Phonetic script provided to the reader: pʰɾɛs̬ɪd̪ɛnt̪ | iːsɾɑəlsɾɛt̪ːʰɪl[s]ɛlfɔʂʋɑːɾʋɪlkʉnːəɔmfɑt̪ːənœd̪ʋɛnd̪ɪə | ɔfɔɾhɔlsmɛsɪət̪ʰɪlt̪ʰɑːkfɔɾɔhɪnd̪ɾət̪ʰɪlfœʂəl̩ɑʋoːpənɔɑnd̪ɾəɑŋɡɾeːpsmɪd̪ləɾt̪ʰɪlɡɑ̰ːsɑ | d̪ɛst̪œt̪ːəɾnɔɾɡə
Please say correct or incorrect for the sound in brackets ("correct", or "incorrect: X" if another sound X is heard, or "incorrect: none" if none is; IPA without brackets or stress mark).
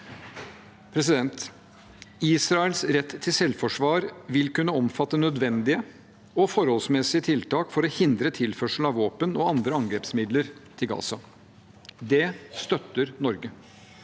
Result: correct